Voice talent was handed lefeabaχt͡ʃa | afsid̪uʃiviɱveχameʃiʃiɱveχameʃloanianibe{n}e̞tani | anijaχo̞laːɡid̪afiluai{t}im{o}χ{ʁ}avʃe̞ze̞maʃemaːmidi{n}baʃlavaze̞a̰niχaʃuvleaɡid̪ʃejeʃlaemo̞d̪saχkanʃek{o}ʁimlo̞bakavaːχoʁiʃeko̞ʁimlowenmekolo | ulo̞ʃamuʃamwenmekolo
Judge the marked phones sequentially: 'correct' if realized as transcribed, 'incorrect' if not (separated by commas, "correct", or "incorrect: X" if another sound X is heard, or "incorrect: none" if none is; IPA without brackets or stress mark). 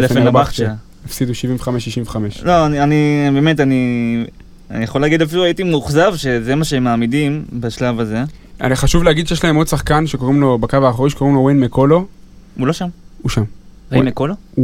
incorrect: m, correct, incorrect: u, incorrect: z, incorrect: m, correct